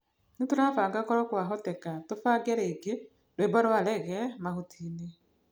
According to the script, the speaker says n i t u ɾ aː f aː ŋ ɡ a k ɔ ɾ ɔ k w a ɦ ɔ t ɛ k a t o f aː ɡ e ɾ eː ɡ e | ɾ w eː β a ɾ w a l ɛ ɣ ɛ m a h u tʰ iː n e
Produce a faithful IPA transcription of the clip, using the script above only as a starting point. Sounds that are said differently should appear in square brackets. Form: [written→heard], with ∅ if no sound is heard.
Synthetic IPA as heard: n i t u ɾ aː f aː ŋ ɡ a k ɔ ɾ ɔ k w a ɦ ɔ t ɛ k a t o f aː ɡ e ɾ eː ɡ e | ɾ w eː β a ɾ w a l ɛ ɣ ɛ m a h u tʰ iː n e

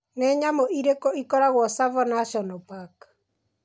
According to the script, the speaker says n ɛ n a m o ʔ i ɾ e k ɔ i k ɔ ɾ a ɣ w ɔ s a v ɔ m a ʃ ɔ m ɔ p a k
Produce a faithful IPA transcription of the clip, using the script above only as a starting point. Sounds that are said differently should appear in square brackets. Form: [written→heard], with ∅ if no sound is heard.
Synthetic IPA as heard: n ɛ [n→ɲ] a m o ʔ i ɾ e k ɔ i k ɔ ɾ a ɣ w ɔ s a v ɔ [m→n] a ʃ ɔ [m→n] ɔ p a k

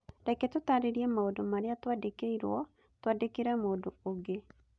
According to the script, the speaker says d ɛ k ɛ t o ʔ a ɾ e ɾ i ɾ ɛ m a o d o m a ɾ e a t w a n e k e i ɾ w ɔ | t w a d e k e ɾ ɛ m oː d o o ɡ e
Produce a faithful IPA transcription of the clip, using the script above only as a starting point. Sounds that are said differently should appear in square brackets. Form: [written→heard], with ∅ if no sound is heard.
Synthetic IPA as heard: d ɛ k ɛ t o [ʔ→t] a ɾ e ɾ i [ɾ→∅] ɛ m a o d o m a ɾ e a t w a [n→d] e k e i ɾ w ɔ | t w a d e k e ɾ ɛ m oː d o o ɡ e

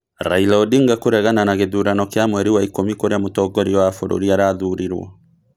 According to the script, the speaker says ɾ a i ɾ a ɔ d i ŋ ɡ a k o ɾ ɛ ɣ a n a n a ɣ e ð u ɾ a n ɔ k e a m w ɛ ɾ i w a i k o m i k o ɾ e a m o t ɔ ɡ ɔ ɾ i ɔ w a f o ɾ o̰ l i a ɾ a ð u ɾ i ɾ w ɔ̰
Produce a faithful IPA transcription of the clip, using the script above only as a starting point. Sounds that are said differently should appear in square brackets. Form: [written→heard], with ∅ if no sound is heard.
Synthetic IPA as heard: ɾ a i [ɾ→l] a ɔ d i ŋ ɡ a k o ɾ ɛ ɣ a n a n a ɣ e ð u ɾ a n ɔ k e a m w ɛ ɾ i w a i k o m i k o ɾ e a m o t ɔ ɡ ɔ ɾ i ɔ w a f o ɾ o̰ [l→ɾ] i a ɾ a ð u ɾ i ɾ w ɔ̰

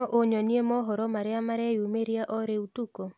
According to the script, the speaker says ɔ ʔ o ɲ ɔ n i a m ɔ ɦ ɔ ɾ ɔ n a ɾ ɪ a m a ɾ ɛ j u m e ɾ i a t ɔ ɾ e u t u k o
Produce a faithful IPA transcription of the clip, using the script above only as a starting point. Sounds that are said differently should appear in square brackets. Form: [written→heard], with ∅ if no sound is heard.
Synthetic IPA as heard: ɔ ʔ o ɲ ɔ n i [a→e] m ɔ ɦ ɔ ɾ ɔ [n→m] a ɾ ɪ a m a ɾ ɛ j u m e ɾ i a [t→ʔ] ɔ ɾ e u t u k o

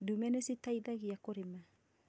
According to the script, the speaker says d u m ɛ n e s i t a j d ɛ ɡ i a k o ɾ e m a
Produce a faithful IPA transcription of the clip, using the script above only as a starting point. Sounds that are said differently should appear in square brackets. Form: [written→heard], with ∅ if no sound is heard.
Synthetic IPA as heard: d u m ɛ n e s i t a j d [ɛ→a] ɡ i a k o ɾ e m a

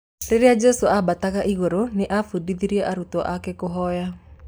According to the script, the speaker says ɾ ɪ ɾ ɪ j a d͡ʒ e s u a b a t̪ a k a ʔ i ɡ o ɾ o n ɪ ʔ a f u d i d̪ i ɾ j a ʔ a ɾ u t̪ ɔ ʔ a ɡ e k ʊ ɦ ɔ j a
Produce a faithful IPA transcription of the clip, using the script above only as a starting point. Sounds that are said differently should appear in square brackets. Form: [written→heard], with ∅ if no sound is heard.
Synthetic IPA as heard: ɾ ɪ ɾ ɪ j a d͡ʒ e s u a b a t̪ a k a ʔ i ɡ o ɾ o n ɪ ʔ a f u d i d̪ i ɾ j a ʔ a ɾ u t̪ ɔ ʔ a [ɡ→k] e k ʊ ɦ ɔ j a

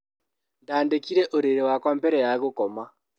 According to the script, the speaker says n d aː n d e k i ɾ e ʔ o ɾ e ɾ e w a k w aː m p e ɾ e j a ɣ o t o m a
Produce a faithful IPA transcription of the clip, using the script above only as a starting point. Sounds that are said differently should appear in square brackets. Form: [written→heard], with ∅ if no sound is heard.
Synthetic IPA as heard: n d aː n d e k i ɾ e ʔ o ɾ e ɾ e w a k w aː m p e ɾ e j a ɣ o [t→k] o m a

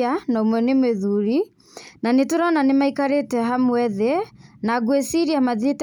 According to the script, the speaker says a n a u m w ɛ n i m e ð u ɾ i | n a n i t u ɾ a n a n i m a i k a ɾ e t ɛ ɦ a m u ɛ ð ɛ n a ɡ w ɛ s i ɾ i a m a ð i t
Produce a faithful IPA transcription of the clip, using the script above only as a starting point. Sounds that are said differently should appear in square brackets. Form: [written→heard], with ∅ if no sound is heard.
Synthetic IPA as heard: a n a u m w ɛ n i m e ð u ɾ i | n a n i t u ɾ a n a n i m a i k a ɾ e t ɛ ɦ a m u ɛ ð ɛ n a ɡ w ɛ s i ɾ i a m a ð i t

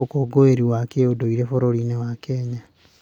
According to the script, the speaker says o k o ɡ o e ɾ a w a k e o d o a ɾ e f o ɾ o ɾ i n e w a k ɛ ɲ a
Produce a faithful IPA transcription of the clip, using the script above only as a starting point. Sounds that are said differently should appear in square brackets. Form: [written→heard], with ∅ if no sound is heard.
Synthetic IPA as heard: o k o ɡ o e ɾ [a→i] w a k e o d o [a→i] ɾ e f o ɾ o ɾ i n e w a k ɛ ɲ a

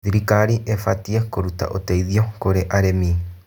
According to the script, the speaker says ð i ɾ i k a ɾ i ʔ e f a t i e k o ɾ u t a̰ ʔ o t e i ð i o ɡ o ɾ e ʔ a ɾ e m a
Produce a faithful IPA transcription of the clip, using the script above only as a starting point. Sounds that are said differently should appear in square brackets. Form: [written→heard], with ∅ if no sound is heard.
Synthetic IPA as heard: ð i ɾ i k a ɾ i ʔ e f a t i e k o ɾ u t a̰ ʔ o t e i ð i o [ɡ→k] o ɾ e ʔ a ɾ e m [a→i]

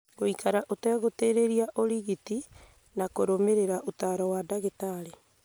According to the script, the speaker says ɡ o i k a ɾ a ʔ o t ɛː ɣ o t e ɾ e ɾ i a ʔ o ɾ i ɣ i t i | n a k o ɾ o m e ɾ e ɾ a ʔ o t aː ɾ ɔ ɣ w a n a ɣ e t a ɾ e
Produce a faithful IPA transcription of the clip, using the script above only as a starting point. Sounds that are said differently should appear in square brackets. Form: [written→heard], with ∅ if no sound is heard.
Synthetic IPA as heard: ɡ o i k a ɾ a ʔ o t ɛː ɣ o t e ɾ e ɾ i a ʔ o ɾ i ɣ i t i | n a k o ɾ o m e ɾ e ɾ a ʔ o t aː ɾ ɔ [ɣ→∅] w a [n→d] a ɣ e t a ɾ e

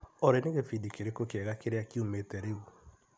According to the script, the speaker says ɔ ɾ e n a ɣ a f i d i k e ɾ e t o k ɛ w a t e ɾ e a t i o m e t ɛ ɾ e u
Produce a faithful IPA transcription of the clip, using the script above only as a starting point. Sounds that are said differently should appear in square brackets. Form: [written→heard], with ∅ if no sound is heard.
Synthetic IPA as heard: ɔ ɾ e n [a→e] ɣ [a→e] f i d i k e ɾ e [t→k] o k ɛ [w→ɣ] a [t→k] e ɾ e a [t→k] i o m e t ɛ ɾ e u

